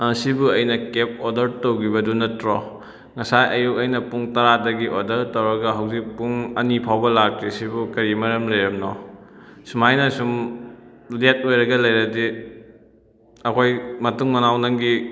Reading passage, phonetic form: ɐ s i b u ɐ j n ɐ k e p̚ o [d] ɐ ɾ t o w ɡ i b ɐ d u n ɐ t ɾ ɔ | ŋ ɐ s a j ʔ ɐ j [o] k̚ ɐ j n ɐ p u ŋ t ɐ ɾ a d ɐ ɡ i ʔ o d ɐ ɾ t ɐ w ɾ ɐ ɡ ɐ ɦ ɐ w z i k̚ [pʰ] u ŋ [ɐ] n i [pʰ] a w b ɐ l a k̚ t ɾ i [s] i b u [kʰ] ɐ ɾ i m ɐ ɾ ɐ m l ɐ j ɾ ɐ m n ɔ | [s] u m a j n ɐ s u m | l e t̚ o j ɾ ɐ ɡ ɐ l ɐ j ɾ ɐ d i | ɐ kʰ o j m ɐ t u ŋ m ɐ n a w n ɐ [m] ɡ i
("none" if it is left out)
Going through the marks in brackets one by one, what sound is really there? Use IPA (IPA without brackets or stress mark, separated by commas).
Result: d, u, p, ɐ, pʰ, s, k, s, ŋ